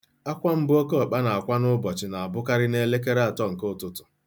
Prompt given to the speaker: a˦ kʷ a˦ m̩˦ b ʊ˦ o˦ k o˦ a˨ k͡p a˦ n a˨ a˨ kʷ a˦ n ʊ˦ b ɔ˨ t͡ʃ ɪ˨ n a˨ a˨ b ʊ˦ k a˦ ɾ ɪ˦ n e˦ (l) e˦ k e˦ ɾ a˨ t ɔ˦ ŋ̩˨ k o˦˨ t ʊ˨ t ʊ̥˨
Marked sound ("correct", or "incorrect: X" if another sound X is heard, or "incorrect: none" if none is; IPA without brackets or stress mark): correct